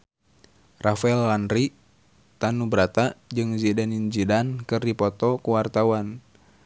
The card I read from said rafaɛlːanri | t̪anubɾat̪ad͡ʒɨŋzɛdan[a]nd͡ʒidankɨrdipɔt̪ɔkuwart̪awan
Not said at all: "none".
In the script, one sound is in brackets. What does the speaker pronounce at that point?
i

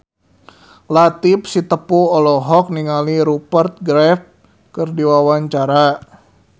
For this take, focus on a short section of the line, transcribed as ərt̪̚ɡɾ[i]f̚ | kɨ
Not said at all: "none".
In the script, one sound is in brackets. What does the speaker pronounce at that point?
ɛ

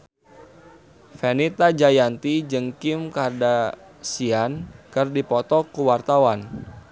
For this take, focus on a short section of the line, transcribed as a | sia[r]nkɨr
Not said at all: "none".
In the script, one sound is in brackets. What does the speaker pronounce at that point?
none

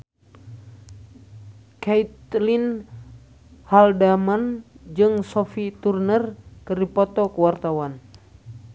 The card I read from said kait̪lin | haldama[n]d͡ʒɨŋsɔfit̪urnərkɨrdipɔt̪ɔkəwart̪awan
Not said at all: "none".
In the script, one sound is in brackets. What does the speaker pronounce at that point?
n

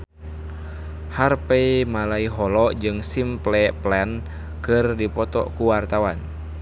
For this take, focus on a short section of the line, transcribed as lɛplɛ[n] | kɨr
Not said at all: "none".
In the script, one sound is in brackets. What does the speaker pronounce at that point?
n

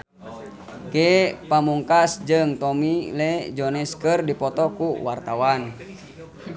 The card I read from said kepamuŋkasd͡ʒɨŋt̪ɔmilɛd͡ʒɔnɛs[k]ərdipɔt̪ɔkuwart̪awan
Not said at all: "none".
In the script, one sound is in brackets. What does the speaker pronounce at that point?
k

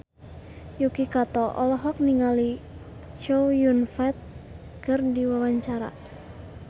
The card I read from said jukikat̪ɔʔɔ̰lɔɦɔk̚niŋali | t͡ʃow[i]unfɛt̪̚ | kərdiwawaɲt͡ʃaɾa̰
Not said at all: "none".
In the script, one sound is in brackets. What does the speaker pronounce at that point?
j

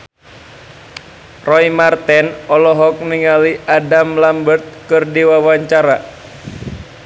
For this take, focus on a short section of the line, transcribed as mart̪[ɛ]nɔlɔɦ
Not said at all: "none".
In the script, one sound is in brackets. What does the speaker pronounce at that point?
ɛ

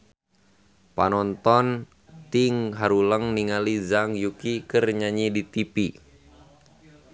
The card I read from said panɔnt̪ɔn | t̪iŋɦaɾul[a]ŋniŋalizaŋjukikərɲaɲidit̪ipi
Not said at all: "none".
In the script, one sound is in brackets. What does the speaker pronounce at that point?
ə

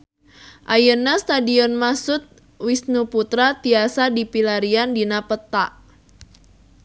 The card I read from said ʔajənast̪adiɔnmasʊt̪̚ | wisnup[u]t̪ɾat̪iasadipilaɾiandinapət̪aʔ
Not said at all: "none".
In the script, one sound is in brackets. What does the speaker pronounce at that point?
u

